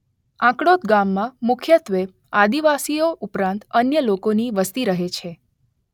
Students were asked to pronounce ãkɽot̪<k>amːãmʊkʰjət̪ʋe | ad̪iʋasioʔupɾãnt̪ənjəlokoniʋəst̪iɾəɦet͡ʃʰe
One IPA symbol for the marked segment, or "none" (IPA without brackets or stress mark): ɡ